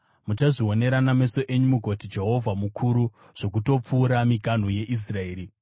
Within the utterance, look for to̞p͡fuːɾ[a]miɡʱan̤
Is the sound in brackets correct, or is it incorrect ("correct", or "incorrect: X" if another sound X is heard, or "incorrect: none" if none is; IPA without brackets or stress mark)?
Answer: correct